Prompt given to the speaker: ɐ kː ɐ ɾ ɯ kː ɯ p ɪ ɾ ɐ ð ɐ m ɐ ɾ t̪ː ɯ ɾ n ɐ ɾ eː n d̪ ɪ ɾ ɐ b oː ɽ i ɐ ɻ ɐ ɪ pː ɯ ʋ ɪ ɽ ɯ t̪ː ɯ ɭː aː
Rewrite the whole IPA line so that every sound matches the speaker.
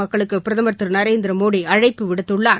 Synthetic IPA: ɐ kː ɐ ɭ ɯ kː ɯ p ɪ ɾ ɐ ð ɐ m ɐ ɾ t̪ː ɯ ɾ n ɐ ɾ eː n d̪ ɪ ɾ ɐ m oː ɽ i ɐ ɻ ɐ ɪ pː ɯ ʋ ɪ ɽ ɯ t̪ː ɯ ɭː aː

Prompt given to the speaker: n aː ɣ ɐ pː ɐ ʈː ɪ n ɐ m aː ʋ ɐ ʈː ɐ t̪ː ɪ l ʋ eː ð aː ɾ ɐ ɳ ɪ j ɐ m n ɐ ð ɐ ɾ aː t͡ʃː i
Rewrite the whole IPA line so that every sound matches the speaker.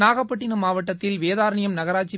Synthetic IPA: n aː ɣ ɐ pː ɐ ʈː ɪ n ɐ m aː ʋ ɐ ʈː ɐ t̪ː ɪ l ʋ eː ð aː ɾ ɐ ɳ ɪ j ɐ m n ɐ ɣ ɐ ɾ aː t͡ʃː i

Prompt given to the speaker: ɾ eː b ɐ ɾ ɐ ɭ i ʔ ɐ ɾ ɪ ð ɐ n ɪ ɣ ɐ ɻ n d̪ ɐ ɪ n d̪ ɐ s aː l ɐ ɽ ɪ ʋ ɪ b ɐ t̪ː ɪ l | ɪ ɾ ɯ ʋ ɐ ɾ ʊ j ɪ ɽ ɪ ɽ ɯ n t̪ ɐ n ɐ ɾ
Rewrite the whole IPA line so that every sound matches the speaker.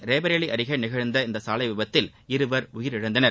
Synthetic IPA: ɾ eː b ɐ ɾ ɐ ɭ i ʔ ɐ ɾ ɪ ɣ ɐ n ɪ ɣ ɐ ɻ n d̪ ɐ ɪ n d̪ ɐ s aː l ɐ ɪ ʋ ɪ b ɐ t̪ː ɪ l | ɪ ɾ ɯ ʋ ɐ ɾ ʊ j ɪ ɾ ɪ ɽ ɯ n d̪ ɐ n ɐ ɾ

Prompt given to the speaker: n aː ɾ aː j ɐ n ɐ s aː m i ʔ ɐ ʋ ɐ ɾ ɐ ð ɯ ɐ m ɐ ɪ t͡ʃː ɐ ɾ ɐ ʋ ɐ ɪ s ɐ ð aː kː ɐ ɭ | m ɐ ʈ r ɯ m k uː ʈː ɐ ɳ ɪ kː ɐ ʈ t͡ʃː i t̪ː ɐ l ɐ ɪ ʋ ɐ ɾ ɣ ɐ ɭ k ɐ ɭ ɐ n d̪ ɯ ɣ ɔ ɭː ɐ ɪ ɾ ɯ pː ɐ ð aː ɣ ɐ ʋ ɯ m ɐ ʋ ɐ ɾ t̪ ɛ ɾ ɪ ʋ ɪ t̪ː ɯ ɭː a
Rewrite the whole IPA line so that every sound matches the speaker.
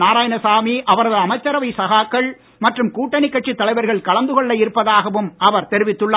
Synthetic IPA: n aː ɾ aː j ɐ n ɐ s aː m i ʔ ɐ ʋ ɐ ɾ ɐ ð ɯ ɐ m ɐ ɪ t͡ʃː ɐ ɾ ɐ ʋ ɐ ɪ s ɐ ɣ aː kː ɐ ɭ | m ɐ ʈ r ɯ m k uː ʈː ɐ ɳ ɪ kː ɐ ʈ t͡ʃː i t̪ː ɐ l ɐ ɪ ʋ ɐ ɾ ɣ ɐ ɭ k ɐ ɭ ɐ n d̪ ɯ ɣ ɔ ɭː ɐ ɪ ɾ ɯ pː ɐ ð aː ɣ ɐ ʋ ɯ m ɐ ʋ ɐ ɾ t̪ ɛ ɾ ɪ ʋ ɪ t̪ː ɯ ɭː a

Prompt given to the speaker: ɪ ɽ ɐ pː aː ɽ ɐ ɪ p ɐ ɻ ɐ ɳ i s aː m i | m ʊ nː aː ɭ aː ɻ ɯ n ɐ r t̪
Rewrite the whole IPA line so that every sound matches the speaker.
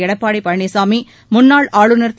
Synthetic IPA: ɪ ɽ ɐ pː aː ɽ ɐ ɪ p ɐ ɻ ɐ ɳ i s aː m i | m ʊ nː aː ɭ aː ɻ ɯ n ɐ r t̪

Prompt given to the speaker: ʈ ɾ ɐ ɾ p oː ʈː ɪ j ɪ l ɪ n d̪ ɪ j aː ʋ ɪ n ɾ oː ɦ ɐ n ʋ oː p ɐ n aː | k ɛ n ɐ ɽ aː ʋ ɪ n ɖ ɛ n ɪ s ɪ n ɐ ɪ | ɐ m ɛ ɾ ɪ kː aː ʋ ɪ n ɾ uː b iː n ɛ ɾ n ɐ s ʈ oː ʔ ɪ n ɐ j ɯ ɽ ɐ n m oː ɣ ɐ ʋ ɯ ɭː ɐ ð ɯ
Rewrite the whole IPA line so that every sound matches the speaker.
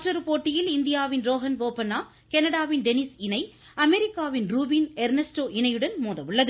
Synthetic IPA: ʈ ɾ ɐ ɾ p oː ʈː ɪ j ɪ l ɪ n d̪ ɪ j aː ʋ ɪ n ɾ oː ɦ ɐ n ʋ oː p ɐ n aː | k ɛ n ɐ ɽ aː ʋ ɪ n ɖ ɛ n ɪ s ɪ n ɐ ɪ | ɐ m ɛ ɾ ɪ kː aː ʋ ɪ n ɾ uː b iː n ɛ ɾ n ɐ s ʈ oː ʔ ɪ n ɐ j ɯ ɽ ɐ n m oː ð ɐ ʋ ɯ ɭː ɐ ð ɯ

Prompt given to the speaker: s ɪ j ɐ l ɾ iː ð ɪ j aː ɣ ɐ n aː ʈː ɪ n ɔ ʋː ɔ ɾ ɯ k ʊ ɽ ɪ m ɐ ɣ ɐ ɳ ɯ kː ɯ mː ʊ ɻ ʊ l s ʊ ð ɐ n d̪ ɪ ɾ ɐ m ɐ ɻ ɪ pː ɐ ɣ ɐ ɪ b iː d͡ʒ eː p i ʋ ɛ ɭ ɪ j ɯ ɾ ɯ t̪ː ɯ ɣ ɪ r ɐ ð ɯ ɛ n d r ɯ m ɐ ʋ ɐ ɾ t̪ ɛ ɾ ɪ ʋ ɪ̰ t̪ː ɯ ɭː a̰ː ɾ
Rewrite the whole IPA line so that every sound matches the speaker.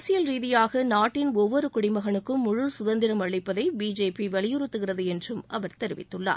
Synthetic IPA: s ɪ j ɐ l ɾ iː ð ɪ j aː ɣ ɐ n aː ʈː ɪ n ɔ ʋː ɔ ɾ ɯ k ʊ ɽ ɪ m ɐ ɣ ɐ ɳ ɯ kː ɯ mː ʊ ɻ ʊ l s ʊ ð ɐ n d̪ ɪ ɾ ɐ m ɐ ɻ ɪ pː ɐ ð ɐ ɪ b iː d͡ʒ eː p i ʋ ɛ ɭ ɪ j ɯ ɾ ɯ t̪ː ɯ ɣ ɪ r ɐ ð ɯ ɛ n d r ɯ m ɐ ʋ ɐ ɾ t̪ ɛ ɾ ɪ ʋ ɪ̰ t̪ː ɯ ɭː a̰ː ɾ

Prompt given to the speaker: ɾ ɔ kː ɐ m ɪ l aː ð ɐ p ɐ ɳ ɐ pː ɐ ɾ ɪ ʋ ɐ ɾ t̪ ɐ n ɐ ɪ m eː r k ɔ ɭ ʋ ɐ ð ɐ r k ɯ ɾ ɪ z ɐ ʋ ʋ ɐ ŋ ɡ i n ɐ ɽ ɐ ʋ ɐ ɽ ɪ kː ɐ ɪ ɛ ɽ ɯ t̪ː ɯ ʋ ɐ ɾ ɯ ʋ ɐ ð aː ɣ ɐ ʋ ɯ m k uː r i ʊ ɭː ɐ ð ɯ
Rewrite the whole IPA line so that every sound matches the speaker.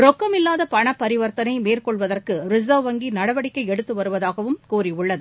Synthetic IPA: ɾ ɔ kː ɐ m ɪ lː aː ð ɐ p ɐ ɳ ɐ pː ɐ ɾ ɪ ʋ ɐ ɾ t̪ ɐ n ɐ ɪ m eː r k ɔ ɭ ʋ ɐ ð ɐ r k ɯ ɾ ɪ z ɐ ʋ ʋ ɐ ŋ ɡ i n ɐ ɽ ɐ ʋ ɐ ɽ ɪ kː ɐ ɪ ɛ ɽ ɯ t̪ː ɯ ʋ ɐ ɾ ɯ ʋ ɐ ð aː ɣ ɐ ʋ ɯ m k uː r i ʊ ɭː ɐ ð ɯ

